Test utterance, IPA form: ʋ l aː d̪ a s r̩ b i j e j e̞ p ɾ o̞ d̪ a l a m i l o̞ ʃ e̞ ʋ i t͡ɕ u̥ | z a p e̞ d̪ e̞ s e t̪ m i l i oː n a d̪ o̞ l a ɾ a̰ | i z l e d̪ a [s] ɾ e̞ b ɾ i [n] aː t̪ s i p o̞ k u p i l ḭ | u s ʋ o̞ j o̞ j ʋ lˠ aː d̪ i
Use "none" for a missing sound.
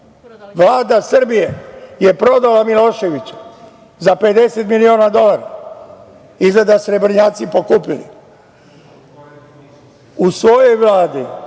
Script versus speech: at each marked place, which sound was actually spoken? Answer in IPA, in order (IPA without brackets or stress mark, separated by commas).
s, ɲ